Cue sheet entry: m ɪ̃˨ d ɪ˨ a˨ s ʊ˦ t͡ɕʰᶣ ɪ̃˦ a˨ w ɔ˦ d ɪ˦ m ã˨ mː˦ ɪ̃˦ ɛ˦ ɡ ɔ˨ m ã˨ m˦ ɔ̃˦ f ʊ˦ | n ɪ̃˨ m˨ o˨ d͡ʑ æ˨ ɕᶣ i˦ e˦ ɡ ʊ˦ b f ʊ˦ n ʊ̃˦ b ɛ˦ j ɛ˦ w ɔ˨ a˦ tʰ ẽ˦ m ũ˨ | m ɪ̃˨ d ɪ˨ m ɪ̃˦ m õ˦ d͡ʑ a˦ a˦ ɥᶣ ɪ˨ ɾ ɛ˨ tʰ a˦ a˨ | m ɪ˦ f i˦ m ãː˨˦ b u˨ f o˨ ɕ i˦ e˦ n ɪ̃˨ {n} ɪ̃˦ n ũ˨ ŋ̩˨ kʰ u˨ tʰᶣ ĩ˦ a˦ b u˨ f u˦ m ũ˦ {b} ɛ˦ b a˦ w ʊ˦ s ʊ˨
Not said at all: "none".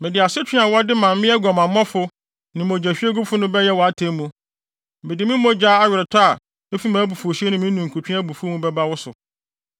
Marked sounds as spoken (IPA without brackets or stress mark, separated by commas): m, b